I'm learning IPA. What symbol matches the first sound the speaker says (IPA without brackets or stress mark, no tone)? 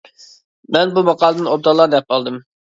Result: m